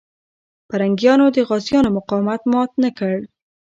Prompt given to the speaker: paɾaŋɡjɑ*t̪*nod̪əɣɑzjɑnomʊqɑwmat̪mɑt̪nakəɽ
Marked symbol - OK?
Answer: no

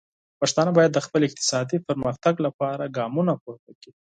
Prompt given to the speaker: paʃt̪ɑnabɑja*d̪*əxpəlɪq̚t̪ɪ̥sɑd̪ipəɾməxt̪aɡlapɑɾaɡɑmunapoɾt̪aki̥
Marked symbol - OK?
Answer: no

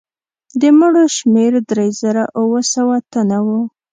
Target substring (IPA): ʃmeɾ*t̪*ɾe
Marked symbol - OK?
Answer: no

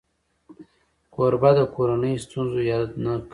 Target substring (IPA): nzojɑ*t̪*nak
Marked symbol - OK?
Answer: no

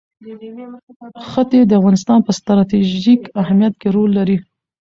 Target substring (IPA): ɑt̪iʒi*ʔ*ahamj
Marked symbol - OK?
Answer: no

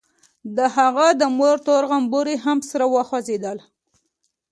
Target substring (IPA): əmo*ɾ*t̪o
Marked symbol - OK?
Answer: yes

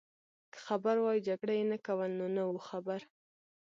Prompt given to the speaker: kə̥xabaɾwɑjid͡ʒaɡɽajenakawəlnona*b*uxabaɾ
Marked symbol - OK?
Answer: no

